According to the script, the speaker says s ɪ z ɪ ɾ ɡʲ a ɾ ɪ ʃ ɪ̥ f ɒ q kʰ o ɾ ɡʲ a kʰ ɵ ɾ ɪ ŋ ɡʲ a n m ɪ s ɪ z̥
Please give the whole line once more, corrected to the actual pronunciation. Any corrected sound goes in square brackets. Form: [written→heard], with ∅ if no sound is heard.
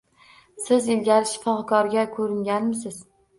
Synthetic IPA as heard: s ɪ z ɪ [ɾ→l] ɡʲ a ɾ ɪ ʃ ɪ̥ f ɒ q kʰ [o→ɒ] ɾ ɡʲ a kʰ ɵ ɾ ɪ ŋ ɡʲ a n m ɪ s ɪ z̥